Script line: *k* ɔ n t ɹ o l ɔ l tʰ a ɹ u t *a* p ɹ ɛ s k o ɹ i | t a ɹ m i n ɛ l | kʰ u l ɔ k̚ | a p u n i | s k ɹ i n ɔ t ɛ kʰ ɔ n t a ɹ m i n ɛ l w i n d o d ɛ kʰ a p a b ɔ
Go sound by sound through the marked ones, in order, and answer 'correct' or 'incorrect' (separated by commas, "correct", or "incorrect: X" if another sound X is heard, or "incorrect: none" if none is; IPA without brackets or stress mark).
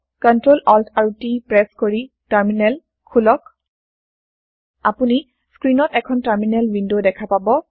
correct, incorrect: i